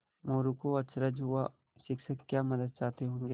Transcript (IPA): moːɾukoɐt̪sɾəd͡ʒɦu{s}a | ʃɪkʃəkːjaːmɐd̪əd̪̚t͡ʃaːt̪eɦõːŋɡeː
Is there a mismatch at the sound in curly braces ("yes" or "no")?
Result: yes